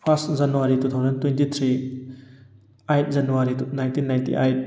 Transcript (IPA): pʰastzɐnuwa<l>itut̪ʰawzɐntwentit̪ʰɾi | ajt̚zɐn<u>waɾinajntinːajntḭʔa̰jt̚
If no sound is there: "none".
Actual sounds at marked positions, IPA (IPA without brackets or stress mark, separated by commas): ɾ, u